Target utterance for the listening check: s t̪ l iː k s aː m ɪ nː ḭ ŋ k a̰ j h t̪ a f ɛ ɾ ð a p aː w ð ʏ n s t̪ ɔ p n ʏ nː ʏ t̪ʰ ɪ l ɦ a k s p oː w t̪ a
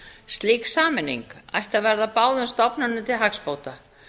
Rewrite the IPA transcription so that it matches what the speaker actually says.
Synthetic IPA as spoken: s t̪ l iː k s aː m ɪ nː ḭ ŋ k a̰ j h t̪ a v ɛ ɾ ð a p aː w ð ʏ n s t̪ ɔ p n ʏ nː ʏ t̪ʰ ɪ l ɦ a k s p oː w t̪ a

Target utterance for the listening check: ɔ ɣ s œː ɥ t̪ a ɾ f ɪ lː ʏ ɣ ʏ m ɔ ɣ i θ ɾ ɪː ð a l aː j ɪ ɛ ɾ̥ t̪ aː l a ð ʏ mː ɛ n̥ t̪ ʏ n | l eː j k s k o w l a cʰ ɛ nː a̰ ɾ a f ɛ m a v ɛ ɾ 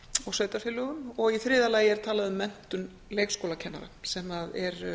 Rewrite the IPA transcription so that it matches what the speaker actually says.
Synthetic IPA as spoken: ɔ ɣ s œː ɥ t̪ a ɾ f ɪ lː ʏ ɣ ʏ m ɔ ɣ i θ ɾ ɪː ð a l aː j ɪ ɛ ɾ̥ t̪ʰ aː l a ð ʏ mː ɛ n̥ t̪ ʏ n | l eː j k s k o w l a cʰ ɛ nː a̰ ɾ a s ɛ m a ð ɛ ɾ

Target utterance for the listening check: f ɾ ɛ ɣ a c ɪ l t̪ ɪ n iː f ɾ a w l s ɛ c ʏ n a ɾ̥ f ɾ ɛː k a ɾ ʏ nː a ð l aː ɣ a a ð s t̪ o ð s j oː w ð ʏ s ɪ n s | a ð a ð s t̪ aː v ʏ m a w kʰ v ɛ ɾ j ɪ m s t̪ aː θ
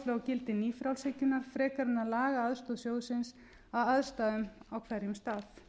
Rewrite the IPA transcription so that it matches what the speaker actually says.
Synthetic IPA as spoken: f l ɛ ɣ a c ɪ l t̪ ɪ n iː f ɾ a w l s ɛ c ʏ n a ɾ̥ f ɾ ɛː k a ɾ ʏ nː a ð l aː ɣ a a ð s t̪ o ð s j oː w ð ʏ s ɪ n s | a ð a ð s t̪ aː ð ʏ m a w kʰ v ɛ ɾ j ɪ m s t̪ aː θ

